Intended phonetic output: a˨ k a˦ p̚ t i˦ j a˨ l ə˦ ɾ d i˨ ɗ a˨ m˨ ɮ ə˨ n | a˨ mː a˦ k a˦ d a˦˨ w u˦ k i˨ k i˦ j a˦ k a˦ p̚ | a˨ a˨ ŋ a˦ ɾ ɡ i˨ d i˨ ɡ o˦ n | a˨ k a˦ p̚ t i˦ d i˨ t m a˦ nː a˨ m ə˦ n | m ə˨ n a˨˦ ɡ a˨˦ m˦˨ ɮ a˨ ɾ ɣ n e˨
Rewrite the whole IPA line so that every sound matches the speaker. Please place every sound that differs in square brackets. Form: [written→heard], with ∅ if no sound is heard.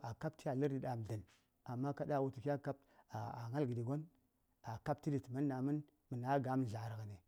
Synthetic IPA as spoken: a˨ k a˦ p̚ t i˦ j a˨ l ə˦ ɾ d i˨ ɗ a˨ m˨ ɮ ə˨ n | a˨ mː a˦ k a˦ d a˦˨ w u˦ [k→t] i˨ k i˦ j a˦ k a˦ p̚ | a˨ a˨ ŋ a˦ [ɾ→l] ɡ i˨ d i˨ ɡ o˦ n | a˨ k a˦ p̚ t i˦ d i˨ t m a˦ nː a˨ m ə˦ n | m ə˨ n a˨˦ ɡ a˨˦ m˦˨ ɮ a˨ ɾ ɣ n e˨